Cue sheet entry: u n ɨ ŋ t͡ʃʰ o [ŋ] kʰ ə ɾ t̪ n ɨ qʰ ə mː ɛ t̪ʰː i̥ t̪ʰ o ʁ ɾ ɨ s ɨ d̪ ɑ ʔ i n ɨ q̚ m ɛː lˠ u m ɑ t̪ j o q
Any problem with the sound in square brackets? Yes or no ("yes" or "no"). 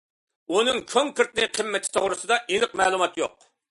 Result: no